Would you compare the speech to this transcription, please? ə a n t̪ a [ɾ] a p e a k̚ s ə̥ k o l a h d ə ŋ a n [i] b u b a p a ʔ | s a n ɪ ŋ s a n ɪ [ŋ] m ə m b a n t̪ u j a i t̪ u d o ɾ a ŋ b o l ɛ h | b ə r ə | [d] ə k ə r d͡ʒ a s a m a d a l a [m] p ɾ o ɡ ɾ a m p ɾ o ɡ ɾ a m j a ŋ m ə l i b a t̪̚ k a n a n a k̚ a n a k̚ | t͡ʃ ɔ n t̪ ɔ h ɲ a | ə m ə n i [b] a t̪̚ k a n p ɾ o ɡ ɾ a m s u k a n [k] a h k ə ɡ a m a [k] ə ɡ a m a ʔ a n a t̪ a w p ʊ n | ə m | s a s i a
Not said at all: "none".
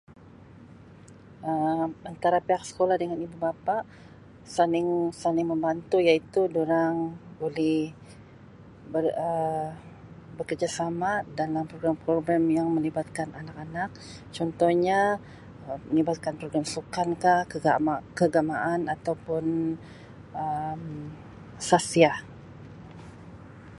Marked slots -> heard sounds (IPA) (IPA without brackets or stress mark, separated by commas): ɾ, i, ŋ, b, m, b, k, k